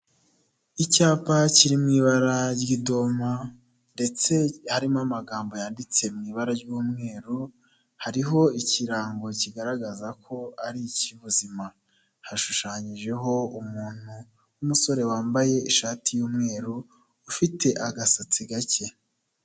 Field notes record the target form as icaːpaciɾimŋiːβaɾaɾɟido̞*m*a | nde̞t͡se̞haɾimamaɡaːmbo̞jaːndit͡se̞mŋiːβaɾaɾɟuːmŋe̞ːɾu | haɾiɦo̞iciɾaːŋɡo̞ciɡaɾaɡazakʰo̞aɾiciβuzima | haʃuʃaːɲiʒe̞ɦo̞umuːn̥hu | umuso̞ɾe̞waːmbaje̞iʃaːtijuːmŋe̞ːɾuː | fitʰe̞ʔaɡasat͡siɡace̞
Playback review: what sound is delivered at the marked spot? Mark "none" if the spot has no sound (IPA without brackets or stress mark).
m